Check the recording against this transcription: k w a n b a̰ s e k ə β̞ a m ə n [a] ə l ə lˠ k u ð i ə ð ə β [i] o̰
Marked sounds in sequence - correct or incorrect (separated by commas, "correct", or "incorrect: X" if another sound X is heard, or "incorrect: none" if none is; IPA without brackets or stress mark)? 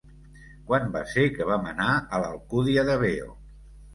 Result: correct, incorrect: e